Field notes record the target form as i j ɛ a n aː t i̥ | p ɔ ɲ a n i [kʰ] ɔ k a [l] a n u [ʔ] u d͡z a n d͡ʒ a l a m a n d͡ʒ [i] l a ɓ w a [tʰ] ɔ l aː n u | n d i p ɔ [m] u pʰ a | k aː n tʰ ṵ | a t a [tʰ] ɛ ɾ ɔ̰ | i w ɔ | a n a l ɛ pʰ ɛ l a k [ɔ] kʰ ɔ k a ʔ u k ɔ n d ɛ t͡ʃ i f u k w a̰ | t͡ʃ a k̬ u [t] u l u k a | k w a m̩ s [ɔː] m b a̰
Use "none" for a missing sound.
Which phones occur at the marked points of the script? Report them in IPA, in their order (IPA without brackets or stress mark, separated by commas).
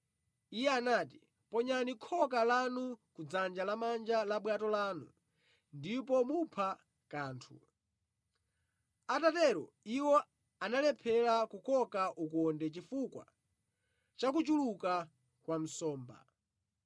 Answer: kʰ, l, k, a, t, m, t, u, t͡ʃ, ɔː